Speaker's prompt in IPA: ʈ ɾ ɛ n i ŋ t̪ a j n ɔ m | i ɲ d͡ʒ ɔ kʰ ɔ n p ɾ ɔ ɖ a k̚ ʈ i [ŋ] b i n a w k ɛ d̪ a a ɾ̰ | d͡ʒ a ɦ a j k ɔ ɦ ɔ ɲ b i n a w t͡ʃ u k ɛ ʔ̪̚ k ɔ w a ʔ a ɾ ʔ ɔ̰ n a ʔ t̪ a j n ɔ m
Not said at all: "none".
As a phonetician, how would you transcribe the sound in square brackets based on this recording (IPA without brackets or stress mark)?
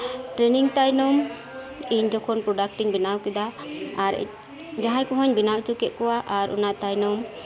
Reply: ŋ